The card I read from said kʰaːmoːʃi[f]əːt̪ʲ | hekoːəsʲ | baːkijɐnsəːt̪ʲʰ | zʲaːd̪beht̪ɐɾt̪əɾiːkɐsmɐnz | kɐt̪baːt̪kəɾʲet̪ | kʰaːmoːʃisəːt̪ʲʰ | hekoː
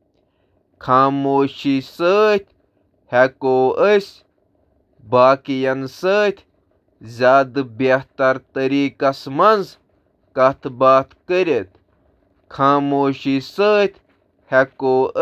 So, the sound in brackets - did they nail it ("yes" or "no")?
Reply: no